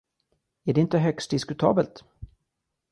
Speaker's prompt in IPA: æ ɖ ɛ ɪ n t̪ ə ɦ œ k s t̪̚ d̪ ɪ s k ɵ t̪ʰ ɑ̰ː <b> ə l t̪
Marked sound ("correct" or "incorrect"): correct